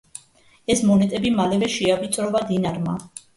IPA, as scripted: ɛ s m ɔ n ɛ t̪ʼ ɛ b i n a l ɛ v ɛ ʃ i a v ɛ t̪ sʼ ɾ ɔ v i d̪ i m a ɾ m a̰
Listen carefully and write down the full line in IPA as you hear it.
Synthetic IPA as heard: ɛ s m ɔ n ɛ t̪ʼ ɛ b i m a l ɛ v ɛ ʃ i a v i t̪ sʼ ɾ ɔ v a d̪ i n a ɾ m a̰